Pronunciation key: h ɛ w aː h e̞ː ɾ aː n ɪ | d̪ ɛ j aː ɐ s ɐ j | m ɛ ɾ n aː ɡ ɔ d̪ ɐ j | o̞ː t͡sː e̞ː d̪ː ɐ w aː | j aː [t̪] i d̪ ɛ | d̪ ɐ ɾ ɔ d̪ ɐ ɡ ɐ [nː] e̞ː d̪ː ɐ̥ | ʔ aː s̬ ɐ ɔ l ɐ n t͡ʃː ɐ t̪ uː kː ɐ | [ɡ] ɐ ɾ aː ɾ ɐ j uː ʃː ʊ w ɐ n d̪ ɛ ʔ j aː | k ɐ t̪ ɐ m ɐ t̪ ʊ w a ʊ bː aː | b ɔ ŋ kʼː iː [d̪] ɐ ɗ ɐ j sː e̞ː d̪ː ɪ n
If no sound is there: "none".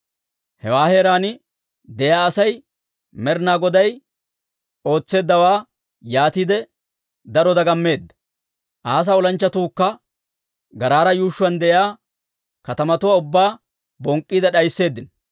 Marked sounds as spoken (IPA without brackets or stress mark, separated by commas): t̪, mː, ɡ, d̪